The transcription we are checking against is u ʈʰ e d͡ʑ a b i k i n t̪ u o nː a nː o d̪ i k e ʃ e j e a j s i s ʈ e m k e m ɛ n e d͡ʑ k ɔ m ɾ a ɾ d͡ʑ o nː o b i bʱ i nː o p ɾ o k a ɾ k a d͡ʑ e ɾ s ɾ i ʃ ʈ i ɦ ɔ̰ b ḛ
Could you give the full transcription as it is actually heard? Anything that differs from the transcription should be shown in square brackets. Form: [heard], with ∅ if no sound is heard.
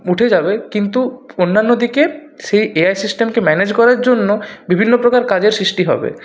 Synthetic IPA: u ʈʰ e d͡ʑ a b [e] k i n t̪ u o nː a nː o d̪ i k e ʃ e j e a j s i s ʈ e m k e m ɛ n e d͡ʑ k ɔ [∅] ɾ a ɾ d͡ʑ o nː o b i bʱ i nː o p ɾ o k a ɾ k a d͡ʑ e ɾ s ɾ i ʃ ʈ i ɦ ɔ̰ b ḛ